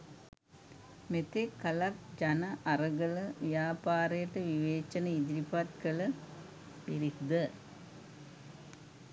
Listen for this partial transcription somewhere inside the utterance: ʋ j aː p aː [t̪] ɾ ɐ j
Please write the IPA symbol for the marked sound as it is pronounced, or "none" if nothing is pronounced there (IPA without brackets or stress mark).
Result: none